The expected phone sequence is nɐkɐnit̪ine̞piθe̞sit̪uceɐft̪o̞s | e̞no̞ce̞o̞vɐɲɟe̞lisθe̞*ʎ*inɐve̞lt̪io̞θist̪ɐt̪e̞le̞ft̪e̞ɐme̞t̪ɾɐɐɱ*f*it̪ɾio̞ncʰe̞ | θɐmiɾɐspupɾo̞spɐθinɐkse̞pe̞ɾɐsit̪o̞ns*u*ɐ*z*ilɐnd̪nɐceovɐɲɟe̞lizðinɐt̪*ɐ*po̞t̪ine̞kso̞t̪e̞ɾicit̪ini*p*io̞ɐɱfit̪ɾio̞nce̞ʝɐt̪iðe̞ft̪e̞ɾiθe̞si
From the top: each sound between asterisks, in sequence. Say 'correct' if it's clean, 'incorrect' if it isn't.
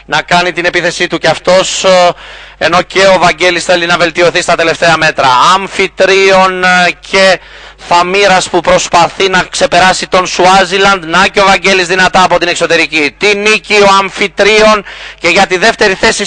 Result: incorrect: l, correct, correct, correct, incorrect: ɐː, incorrect: c

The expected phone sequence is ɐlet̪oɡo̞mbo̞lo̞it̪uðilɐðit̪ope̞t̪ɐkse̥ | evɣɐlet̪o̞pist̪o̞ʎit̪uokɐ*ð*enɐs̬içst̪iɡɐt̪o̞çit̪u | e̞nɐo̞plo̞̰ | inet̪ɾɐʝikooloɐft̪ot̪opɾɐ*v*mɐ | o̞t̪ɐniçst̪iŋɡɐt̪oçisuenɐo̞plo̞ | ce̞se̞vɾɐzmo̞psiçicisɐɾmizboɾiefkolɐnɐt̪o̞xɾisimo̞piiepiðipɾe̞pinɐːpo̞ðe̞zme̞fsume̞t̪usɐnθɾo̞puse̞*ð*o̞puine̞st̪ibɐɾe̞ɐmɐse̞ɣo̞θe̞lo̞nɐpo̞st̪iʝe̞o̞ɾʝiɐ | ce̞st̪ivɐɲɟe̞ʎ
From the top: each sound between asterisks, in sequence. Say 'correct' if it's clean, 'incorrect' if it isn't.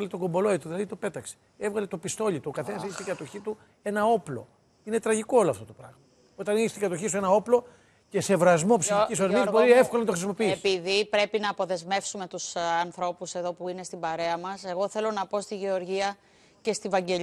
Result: incorrect: θ, incorrect: ɣ, correct

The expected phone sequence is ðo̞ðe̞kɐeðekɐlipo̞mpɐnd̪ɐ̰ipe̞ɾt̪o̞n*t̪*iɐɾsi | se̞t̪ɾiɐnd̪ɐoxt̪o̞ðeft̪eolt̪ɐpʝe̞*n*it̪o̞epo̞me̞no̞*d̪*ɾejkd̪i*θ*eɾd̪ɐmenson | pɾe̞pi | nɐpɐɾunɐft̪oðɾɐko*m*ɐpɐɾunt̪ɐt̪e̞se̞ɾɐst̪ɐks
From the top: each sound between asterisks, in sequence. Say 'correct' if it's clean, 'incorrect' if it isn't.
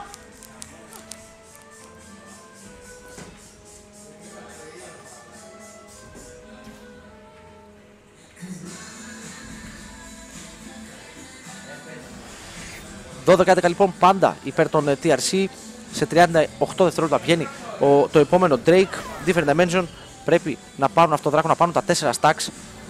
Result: correct, correct, correct, incorrect: f, incorrect: n

